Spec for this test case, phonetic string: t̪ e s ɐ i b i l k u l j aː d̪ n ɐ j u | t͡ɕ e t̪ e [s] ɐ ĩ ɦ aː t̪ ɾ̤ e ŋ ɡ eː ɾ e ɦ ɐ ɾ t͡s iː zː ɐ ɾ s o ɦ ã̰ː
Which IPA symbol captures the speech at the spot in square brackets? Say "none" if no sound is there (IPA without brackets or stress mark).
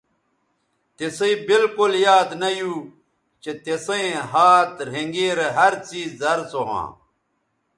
s